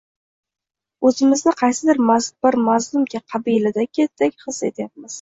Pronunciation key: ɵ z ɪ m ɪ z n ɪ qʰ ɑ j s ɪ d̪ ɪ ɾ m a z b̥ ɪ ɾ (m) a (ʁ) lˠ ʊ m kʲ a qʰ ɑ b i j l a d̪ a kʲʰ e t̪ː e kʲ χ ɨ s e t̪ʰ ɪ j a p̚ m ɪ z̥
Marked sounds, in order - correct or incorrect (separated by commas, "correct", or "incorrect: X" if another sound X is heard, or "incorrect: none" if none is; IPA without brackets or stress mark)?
correct, incorrect: z